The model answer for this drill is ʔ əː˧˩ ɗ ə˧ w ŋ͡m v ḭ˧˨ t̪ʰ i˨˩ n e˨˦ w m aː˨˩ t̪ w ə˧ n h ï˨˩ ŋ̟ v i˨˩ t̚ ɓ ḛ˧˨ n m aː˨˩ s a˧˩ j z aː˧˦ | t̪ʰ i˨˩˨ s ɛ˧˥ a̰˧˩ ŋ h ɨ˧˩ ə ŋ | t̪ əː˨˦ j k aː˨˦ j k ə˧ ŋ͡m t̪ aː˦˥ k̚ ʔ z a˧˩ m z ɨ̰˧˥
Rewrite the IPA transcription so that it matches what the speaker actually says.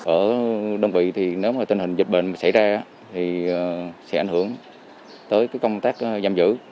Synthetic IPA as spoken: ʔ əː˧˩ ɗ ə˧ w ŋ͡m v ḭ˧˨ t̪ʰ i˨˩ n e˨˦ w m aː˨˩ t̪ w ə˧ n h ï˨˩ ŋ̟ z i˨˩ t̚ ɓ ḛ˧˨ n m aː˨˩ s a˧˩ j z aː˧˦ | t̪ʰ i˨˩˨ s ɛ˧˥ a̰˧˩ ŋ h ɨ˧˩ ə ŋ | t̪ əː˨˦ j k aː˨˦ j k ə˧ ŋ͡m t̪ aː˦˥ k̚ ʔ z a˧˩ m z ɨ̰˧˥